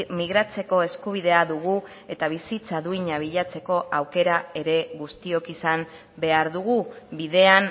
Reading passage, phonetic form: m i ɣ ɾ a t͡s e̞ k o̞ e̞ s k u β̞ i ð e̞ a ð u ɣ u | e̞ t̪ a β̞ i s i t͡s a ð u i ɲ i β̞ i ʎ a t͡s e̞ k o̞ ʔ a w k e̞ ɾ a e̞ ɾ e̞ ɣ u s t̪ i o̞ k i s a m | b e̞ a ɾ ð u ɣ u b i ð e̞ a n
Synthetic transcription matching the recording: m i ɣ ɾ a t͡s e̞ k o̞ e̞ s k u β̞ i ð e̞ a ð u ɣ u | e̞ t̪ a β̞ i s i t͡s a ð u i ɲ a β̞ i ʎ a t͡s e̞ k o̞ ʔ a w k e̞ ɾ a e̞ ɾ e̞ ɣ u s t̪ i o̞ k i s a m | b e̞ a ɾ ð u ɣ u b i ð e̞ a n